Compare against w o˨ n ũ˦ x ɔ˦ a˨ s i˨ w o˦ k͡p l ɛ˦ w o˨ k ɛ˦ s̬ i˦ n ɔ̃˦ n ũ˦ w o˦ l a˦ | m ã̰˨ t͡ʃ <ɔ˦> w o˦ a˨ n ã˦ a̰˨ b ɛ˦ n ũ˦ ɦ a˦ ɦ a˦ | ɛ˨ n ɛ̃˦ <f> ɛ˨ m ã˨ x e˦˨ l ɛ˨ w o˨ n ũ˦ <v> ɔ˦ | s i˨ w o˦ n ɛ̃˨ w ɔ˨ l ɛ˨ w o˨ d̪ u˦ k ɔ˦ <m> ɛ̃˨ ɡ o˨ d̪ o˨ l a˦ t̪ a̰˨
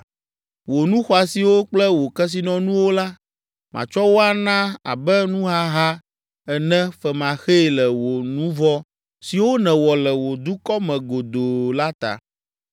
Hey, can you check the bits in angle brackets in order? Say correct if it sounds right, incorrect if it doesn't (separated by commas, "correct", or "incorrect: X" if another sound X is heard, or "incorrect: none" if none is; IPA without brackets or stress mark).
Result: correct, correct, correct, correct